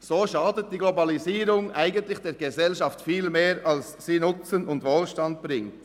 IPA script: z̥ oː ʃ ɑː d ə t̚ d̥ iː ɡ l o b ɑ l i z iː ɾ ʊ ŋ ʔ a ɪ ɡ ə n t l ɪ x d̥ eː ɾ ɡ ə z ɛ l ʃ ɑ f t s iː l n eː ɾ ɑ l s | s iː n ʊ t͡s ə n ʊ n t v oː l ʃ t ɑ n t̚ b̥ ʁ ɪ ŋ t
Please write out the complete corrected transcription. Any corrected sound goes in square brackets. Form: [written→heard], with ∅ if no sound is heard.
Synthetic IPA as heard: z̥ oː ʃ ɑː d ə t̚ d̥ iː ɡ l o b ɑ l i z iː ɾ ʊ ŋ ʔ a ɪ ɡ ə n t l ɪ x d̥ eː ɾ ɡ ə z ɛ l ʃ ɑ f t [s→f] iː l [n→m] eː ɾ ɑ l s | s iː n ʊ t͡s ə n ʊ n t v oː l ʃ t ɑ n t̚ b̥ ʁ ɪ ŋ t

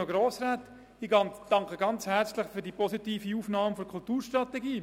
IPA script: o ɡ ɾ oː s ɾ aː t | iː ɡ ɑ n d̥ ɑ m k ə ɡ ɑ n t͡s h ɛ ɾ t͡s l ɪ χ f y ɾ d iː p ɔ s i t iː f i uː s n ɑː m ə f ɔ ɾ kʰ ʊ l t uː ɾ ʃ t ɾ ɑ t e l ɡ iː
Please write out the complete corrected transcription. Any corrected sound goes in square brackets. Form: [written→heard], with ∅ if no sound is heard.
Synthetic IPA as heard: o ɡ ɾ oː s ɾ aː t | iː ɡ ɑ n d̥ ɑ [m→ŋ] k ə ɡ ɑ n t͡s h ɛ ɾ t͡s l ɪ χ f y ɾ d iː p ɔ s i t iː f i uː [s→f] n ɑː m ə f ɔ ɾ kʰ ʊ l t uː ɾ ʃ t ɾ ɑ t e [l→∅] ɡ iː

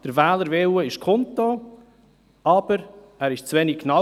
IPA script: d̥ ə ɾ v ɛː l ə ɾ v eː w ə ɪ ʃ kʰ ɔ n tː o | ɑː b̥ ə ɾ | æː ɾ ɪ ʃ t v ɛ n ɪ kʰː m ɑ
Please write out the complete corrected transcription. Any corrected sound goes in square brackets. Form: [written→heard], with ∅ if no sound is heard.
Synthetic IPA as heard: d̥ ə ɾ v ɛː l ə ɾ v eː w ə ɪ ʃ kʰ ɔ n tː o | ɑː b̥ ə ɾ | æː ɾ ɪ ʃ [t→t͡s] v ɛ n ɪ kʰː [m→n] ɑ

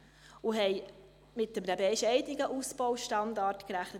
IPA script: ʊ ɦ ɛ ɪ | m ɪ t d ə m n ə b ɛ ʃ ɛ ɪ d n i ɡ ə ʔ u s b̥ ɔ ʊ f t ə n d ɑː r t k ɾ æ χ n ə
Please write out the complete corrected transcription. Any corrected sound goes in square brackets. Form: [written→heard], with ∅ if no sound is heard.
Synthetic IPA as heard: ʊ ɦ ɛ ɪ | m ɪ t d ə m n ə b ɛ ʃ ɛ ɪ d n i ɡ ə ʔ u s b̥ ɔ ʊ [f→ʃ] t [ə→ɑ] n d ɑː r t k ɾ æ χ n ə

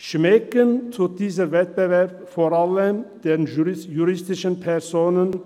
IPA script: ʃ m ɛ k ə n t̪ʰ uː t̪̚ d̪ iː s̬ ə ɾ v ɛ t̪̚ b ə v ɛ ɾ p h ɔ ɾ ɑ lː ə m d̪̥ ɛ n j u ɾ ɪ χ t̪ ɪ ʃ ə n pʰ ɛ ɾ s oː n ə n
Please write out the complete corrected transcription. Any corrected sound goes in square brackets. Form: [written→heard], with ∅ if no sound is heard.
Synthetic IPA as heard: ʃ m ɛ k ə n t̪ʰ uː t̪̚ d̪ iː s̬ ə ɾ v ɛ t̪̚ b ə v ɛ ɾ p [h→f] ɔ ɾ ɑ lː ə m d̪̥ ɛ n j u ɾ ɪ [χ→s] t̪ ɪ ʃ ə n pʰ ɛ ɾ s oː n ə n

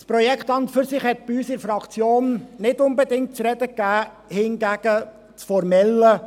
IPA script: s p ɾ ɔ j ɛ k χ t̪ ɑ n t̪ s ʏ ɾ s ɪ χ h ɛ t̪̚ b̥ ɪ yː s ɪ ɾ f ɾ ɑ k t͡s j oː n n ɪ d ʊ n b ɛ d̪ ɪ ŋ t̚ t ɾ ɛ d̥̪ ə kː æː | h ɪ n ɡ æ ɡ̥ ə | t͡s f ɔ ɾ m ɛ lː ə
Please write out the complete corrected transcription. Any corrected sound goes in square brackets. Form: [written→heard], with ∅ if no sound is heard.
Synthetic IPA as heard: s p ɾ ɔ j ɛ k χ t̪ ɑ n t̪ [s→f] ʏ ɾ s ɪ χ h ɛ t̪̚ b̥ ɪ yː s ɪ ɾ f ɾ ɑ k t͡s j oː n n ɪ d ʊ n b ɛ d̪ ɪ ŋ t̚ [t→t͡s] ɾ ɛ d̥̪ ə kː æː | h ɪ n ɡ æ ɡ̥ ə | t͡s f ɔ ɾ m ɛ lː ə

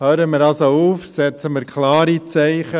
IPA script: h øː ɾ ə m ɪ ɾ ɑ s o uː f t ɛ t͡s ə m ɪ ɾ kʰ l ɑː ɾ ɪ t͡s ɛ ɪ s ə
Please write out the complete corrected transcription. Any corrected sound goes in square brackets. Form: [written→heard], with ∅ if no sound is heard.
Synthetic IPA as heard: h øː ɾ ə m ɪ ɾ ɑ s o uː f [t→s] ɛ t͡s ə m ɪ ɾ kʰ l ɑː ɾ [ɪ→i] t͡s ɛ ɪ [s→χ] ə

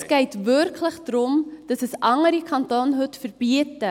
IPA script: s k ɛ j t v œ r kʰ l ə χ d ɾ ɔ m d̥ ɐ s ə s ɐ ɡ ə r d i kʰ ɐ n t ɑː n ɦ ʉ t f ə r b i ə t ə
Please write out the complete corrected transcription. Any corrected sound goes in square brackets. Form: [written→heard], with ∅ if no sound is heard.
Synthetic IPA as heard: s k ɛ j t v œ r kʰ l ə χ d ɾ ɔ m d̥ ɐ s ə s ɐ [ɡ→ŋ] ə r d i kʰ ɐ n t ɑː n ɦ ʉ t f ə r b i ə t ə

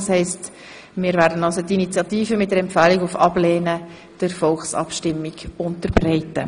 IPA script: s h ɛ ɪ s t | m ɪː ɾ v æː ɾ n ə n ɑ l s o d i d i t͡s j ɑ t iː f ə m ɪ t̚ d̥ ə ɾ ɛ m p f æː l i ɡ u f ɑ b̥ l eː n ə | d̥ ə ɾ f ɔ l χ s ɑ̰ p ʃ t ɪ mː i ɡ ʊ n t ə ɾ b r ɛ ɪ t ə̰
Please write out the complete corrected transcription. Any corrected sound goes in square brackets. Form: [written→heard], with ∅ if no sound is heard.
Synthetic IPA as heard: s h ɛ ɪ s t | m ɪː ɾ v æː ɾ [n→d] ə n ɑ l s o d i [d→n] i t͡s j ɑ t iː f ə m ɪ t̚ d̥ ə ɾ ɛ m p f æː l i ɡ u f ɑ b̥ l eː n ə | d̥ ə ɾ f ɔ l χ s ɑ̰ p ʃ t ɪ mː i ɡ ʊ n t ə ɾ b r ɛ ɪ t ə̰

